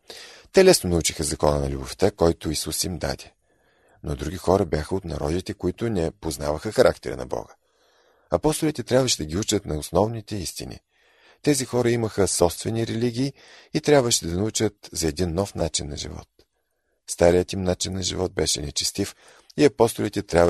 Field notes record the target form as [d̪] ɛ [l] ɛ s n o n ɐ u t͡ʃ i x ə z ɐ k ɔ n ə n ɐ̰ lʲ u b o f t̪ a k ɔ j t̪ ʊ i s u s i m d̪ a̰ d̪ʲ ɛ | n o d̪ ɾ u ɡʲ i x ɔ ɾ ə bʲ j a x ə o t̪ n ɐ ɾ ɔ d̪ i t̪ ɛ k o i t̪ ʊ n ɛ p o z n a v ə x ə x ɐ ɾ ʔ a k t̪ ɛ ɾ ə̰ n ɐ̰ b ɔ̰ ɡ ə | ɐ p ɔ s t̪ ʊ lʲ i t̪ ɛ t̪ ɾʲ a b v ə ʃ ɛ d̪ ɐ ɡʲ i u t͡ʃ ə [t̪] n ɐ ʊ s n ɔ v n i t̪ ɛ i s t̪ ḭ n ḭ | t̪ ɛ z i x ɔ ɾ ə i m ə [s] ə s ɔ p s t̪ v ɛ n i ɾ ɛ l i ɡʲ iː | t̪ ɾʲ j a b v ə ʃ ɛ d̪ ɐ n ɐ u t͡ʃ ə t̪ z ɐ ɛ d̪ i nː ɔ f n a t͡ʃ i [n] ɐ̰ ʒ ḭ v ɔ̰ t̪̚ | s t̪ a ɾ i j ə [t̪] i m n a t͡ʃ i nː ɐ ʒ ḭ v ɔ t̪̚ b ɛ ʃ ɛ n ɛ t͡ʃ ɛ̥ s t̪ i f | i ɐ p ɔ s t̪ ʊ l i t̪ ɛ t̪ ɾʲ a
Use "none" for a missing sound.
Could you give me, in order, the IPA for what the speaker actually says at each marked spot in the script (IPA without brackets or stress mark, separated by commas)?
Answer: t̪, l, t̪, x, nː, t̪